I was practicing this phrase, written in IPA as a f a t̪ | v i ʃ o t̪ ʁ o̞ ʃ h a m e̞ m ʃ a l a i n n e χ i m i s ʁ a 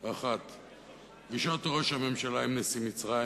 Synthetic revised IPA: a χ a t̪ | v i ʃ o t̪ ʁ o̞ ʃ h a m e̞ m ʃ a l a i m n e s i m i t͡s ʁ a